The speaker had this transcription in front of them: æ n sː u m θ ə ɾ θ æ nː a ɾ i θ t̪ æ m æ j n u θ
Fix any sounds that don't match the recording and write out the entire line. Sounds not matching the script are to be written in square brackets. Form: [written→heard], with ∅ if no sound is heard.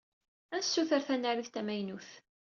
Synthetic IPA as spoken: æ n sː u [m→∅] θ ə ɾ θ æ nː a ɾ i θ t̪ æ m æ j n u θ